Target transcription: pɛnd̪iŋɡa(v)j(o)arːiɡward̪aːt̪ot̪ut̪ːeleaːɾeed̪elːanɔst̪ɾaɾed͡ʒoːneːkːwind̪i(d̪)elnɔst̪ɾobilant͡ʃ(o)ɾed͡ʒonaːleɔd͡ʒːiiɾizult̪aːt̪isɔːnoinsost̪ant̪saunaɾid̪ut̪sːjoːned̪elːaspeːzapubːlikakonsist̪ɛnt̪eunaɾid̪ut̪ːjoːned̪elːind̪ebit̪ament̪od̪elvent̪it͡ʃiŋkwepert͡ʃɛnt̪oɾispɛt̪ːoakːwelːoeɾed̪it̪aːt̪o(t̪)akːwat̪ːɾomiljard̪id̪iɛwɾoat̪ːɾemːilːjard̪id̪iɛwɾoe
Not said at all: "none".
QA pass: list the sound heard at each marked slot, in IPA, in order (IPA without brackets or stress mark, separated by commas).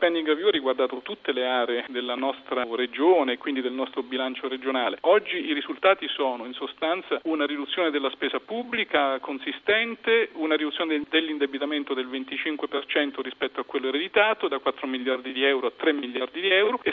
v, u, d̪, o, d̪